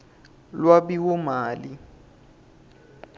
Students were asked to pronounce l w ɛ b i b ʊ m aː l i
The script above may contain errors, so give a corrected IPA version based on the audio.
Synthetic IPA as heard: l w a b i w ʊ m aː l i